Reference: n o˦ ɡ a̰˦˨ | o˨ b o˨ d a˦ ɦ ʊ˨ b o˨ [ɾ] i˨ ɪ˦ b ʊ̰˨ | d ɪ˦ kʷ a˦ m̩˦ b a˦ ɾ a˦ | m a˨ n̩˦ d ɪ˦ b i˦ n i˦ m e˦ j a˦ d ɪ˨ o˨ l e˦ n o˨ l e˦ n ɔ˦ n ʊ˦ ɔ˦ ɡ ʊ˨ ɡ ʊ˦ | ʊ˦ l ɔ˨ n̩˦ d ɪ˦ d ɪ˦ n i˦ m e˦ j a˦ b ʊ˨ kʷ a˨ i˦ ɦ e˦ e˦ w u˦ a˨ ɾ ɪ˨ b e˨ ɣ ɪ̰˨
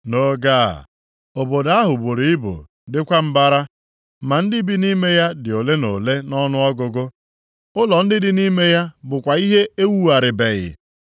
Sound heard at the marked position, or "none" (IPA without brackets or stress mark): ɾ